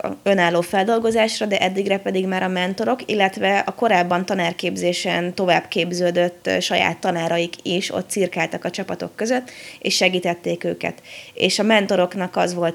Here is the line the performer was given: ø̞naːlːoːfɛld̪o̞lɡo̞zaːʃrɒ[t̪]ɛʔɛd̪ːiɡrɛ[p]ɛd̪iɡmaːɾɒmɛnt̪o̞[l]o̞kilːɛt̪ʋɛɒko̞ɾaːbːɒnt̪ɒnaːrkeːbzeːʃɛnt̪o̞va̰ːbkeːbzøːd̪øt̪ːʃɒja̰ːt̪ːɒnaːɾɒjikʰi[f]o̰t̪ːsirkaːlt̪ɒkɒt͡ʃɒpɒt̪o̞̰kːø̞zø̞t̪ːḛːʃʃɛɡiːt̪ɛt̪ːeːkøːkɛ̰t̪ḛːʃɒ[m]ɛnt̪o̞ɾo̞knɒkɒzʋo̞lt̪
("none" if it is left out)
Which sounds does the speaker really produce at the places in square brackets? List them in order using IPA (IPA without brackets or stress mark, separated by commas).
d̪, p, ɾ, ʃ, m